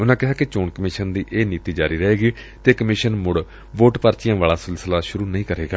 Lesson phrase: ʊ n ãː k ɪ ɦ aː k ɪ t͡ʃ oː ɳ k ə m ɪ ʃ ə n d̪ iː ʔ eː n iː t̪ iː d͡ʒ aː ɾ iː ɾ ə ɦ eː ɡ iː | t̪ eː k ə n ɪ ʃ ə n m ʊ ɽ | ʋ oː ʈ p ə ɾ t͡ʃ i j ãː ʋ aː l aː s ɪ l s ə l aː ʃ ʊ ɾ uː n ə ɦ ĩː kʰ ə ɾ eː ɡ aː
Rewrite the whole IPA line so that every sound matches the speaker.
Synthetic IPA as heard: ʊ n ãː k ɪ ɦ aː k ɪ t͡ʃ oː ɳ k ə m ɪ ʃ ə n d̪ iː ʔ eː n iː t̪ iː d͡ʒ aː ɾ iː ɾ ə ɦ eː ɡ iː | t̪ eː k ə m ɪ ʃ ə n m ʊ ɽ | ʋ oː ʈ p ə ɾ t͡ʃ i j ãː ʋ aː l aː s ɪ l s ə l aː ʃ ʊ ɾ uː n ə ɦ ĩː k ə ɾ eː ɡ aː

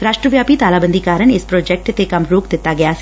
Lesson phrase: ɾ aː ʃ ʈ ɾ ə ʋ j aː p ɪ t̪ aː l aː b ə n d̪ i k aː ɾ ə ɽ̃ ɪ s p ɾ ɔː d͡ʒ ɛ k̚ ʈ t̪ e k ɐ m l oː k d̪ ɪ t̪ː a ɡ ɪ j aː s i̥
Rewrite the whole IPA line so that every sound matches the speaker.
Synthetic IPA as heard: ɾ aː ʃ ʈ ɾ ə ʋ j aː p i t̪ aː l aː b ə n d̪ i k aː ɾ ə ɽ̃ ɪ s p ɾ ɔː d͡ʒ ɛ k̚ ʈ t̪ e k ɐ m ɾ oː k d̪ ɪ t̪ː a ɡ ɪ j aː s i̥

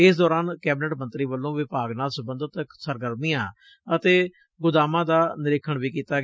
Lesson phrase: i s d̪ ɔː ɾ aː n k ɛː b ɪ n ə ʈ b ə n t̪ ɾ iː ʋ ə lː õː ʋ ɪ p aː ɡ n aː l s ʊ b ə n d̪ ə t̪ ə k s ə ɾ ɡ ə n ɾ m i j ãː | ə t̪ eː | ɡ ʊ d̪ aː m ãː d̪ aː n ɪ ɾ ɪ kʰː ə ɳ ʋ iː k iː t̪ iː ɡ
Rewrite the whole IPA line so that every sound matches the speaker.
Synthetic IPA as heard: ɪ s d̪ ɔː ɾ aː n k ɛː b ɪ n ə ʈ m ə n t̪ ɾ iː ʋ ə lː õː ʋ ɪ p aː ɡ n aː l s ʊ b ə n d̪ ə t̪ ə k s ə ɾ ɡ ə ɾ m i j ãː | ə t̪ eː | ɡ ʊ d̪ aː m ãː d̪ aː n ɪ ɾ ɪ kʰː ə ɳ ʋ iː k iː t̪ aː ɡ

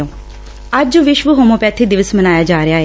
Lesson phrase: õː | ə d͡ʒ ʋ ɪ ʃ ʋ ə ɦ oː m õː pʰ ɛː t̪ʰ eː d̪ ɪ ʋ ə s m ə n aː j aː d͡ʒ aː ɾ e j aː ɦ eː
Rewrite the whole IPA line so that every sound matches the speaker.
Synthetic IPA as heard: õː | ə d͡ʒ ʋ ɪ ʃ ʋ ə ɦ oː m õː p ɛː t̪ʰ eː d̪ ɪ ʋ ə s m ə n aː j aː d͡ʒ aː ɾ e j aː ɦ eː

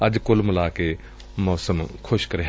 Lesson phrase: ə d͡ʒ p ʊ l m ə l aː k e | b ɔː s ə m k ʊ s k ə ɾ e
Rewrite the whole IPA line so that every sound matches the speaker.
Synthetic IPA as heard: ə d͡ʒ k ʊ l m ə l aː k e | m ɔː s ə m kʰ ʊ ʃ k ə ɾ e

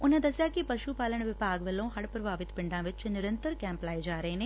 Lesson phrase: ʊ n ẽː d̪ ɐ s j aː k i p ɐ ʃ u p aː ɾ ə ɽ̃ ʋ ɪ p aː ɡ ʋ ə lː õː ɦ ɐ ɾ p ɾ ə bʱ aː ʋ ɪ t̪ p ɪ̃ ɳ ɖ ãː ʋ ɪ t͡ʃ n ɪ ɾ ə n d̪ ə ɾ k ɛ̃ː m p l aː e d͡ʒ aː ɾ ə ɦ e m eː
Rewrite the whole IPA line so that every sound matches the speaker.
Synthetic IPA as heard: ʊ n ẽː d̪ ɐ s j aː k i p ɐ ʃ u p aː l ə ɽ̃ ʋ ɪ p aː ɡ ʋ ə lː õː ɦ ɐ ɽ p ɾ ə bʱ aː ʋ ɪ t̪ p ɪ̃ ɳ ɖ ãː ʋ ɪ t͡ʃ n ɪ ɾ ə n t̪ ə ɾ k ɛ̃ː m p l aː e d͡ʒ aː ɾ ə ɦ e n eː

